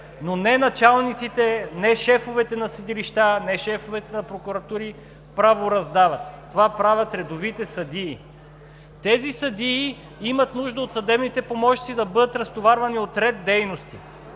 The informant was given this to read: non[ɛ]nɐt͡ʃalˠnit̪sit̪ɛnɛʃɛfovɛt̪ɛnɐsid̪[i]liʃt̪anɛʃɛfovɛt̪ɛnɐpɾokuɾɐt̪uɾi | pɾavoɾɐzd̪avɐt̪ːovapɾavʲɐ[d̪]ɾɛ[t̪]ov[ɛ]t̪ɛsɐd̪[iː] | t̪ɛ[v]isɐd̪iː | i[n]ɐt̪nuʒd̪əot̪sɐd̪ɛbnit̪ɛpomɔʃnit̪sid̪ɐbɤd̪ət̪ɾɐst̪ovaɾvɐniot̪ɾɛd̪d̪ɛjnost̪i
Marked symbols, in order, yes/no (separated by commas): yes, yes, no, no, no, yes, no, no